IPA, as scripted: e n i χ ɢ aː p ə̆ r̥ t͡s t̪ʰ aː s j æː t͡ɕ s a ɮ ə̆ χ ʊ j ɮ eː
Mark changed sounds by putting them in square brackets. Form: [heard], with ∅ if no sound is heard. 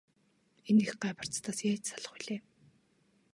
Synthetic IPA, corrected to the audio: e n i [x] ɢ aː p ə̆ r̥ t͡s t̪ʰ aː s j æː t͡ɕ s a ɮ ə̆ χ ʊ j ɮ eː